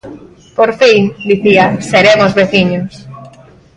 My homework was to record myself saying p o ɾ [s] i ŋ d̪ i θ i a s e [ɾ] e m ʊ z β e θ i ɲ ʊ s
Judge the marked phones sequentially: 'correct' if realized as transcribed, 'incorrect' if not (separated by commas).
incorrect, correct